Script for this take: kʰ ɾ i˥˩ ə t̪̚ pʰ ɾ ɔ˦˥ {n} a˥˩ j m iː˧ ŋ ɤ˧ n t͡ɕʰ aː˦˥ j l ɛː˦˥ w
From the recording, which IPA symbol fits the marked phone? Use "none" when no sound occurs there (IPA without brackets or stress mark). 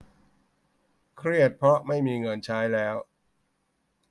m